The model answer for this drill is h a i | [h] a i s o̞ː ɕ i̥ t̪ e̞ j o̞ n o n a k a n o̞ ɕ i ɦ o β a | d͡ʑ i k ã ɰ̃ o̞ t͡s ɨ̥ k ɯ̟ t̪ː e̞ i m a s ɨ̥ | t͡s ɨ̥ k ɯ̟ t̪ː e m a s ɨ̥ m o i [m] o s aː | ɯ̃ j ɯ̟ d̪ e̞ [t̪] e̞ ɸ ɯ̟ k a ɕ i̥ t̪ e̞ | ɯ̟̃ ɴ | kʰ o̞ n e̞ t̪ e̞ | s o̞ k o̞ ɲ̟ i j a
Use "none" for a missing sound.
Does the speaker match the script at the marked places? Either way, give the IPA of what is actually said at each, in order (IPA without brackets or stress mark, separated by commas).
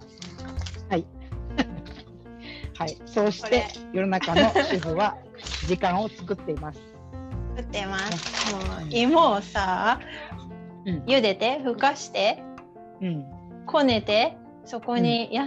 h, m, t̪